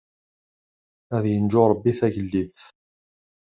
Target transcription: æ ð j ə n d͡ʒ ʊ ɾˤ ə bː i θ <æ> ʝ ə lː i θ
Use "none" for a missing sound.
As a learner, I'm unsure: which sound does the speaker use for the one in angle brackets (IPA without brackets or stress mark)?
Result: æ